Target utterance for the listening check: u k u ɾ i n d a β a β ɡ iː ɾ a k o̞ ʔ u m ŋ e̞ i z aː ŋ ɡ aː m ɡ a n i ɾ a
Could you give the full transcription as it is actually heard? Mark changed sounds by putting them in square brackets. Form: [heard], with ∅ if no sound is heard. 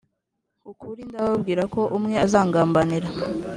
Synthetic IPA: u k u ɾ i n d a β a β ɡ iː ɾ a k o̞ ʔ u m ŋ e̞ [a] z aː ŋ ɡ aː m [b] a n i ɾ a